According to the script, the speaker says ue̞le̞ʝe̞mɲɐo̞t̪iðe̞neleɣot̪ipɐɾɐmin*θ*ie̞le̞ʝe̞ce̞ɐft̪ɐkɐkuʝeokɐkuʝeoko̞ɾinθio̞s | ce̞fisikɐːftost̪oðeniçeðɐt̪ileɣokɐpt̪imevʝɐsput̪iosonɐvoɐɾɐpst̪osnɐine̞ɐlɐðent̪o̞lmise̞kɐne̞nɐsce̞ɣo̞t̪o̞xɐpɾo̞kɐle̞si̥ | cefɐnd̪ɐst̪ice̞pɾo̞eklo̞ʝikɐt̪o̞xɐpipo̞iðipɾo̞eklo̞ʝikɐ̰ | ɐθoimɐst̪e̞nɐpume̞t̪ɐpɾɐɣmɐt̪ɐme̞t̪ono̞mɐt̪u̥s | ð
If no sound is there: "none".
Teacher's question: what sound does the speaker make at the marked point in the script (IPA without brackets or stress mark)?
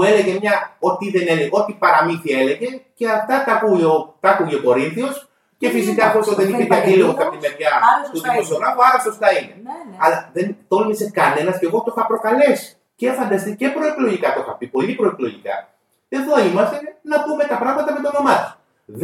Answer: θ